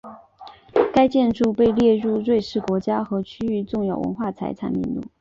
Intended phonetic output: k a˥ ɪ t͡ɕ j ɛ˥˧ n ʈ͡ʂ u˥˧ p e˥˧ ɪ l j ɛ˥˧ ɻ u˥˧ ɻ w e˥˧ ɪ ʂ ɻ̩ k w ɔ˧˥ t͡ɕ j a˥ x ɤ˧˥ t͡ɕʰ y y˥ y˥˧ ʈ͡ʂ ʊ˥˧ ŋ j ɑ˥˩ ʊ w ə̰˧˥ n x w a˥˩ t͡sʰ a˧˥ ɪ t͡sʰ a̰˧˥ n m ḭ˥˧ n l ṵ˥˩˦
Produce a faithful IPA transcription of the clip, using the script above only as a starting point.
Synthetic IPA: k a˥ ɪ t͡ɕ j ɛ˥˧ n ʈ͡ʂ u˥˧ p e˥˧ ɪ l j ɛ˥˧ ɻ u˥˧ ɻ w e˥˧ ɪ ʂ ɻ̩ k w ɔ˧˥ t͡ɕ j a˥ x ɤ˧˥ t͡ɕʰ y y˥ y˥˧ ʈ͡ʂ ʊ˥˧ ŋ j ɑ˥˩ ʊ w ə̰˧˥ n x w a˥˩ t͡sʰ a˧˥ ɪ t͡sʰ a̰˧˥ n m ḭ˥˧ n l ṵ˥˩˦